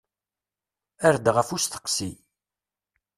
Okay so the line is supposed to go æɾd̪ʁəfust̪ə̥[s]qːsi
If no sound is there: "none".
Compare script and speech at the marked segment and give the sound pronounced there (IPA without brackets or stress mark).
none